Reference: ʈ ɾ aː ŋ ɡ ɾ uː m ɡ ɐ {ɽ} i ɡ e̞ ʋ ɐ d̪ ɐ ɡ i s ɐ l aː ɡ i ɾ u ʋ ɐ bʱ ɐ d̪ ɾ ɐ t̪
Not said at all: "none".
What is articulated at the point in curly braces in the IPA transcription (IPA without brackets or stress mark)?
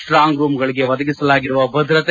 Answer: ɭ